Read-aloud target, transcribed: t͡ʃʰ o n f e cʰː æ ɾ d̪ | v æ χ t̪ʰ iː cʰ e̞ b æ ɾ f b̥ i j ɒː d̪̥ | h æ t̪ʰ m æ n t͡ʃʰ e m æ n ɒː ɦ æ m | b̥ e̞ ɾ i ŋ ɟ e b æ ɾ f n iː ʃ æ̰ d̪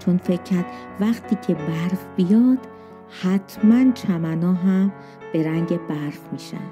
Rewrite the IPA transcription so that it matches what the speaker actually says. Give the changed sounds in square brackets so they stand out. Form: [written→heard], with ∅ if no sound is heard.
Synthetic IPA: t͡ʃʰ o n f e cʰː æ ɾ d̪ | v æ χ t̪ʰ iː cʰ e̞ b æ ɾ f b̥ i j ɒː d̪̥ | h æ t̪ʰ m æ n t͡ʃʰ [e→æ] m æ n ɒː ɦ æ m | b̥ e̞ ɾ [i→æ] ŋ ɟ e b æ ɾ f [n→m] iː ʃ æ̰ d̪